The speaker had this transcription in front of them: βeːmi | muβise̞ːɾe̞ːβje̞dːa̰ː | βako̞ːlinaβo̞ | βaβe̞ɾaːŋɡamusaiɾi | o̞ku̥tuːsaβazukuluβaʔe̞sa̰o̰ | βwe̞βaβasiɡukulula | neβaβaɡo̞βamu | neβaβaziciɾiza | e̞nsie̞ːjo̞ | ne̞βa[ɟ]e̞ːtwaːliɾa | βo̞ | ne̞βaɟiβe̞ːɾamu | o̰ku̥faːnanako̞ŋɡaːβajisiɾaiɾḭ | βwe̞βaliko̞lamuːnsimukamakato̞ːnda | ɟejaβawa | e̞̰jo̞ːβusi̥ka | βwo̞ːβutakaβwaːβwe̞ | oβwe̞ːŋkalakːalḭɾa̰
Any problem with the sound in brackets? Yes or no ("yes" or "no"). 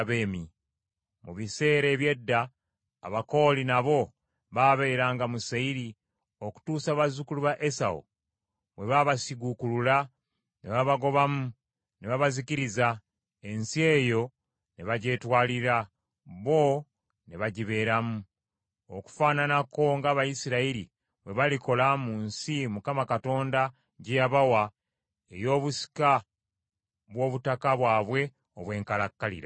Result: no